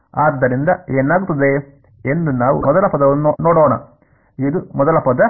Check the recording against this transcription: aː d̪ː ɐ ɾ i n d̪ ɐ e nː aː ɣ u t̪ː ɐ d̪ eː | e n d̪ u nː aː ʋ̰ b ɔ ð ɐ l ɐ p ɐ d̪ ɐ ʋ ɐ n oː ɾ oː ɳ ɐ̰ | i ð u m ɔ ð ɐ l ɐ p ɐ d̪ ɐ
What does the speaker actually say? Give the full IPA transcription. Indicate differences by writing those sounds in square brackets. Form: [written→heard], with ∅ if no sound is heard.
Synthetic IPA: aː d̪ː ɐ ɾ i n d̪ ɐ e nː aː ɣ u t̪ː ɐ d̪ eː | e n d̪ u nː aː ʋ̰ [b→m] ɔ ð ɐ l ɐ p ɐ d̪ ɐ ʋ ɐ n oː [ɾ→ɽ] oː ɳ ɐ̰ | i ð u m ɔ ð ɐ l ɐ p ɐ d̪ ɐ

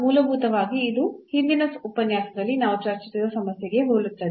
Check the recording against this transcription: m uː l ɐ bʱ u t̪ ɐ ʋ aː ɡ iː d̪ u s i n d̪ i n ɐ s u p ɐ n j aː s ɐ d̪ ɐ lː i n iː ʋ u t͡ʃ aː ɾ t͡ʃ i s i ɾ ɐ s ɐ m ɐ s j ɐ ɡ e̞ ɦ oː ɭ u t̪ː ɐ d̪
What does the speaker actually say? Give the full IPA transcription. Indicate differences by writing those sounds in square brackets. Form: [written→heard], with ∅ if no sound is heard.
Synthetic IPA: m uː l ɐ bʱ [u→uː] t̪ ɐ ʋ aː ɡ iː d̪ u [s→h] i n d̪ i n ɐ s u p ɐ n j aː s ɐ d̪ ɐ lː i n [iː→aː] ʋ u t͡ʃ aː ɾ t͡ʃ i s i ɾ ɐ s ɐ m ɐ s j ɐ ɡ e̞ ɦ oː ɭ u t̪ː ɐ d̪

